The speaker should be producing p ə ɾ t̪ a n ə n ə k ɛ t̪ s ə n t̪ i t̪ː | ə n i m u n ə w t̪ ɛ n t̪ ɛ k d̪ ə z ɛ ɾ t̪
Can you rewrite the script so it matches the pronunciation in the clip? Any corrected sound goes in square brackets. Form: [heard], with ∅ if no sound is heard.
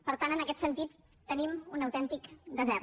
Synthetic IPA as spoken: p ə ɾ t̪ a n ə n ə k ɛ t̪ s ə n t̪ i t̪ː | ə n i m u n ə w t̪ ɛ n t̪ [i] k d̪ ə z ɛ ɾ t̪